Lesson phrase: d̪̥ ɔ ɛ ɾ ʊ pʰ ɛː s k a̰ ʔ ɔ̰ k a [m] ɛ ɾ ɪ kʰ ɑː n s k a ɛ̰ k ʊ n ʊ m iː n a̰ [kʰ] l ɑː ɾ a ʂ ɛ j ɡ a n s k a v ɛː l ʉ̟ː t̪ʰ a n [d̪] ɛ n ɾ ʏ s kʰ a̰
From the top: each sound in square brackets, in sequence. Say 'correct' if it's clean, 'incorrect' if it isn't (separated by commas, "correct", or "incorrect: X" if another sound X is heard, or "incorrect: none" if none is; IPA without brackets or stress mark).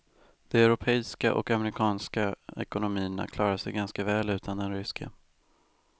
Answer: correct, correct, correct